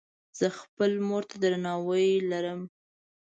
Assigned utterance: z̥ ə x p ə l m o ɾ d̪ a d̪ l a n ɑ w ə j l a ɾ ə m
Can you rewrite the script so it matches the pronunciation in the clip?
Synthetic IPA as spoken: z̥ ə x p ə l m o ɾ t̪ a d̪ ɾ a n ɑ w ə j l a ɾ ə m

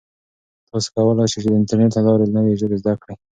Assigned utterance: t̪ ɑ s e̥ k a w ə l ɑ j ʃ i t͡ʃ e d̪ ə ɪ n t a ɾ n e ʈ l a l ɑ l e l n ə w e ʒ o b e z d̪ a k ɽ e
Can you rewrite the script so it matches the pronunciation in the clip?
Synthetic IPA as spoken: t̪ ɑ s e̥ k a w ə l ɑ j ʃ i t͡ʃ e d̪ ə ɪ n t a ɾ n e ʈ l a l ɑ ɾ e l n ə w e ʒ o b e z d̪ a k ɽ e

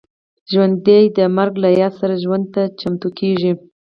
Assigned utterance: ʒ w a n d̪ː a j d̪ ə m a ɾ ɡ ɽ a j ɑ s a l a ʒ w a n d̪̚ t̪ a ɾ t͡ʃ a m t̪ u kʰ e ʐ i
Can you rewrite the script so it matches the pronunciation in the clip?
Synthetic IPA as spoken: ʒ w a n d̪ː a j d̪ ə m a ɾ ɡ l a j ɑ s a ɾ a ʒ w a n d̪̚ t̪ a t͡ʃ a m t̪ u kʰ e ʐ i

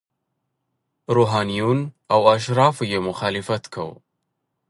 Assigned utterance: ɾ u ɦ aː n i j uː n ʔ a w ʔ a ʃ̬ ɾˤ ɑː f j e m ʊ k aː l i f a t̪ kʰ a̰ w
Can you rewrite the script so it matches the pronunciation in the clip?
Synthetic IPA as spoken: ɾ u ɦ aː n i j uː n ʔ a w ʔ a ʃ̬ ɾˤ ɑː f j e m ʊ x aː l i f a t̪ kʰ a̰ w

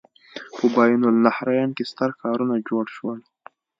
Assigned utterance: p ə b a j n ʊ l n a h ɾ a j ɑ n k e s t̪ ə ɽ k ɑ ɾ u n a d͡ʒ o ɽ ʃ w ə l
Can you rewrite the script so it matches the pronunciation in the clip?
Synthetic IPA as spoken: p ə b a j n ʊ l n a h ɾ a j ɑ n k e s t̪ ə ɾ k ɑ ɾ u n a d͡ʒ o ɽ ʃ w ə l

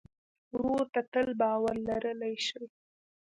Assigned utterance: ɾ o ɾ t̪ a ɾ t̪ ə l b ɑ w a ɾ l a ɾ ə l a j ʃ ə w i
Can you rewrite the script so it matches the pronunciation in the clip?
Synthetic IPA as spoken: ɾ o ɾ t̪ a t̪ ə l b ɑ w a ɾ l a ɾ ə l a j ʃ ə w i

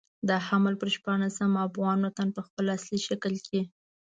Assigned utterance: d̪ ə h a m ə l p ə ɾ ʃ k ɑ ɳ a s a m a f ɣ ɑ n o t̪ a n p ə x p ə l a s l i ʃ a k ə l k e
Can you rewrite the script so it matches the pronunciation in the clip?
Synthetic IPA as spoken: d̪ ə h a m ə l p ə ɾ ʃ p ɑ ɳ a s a m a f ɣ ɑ n o t̪ a n p ə x p ə l a s l i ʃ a k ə l k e

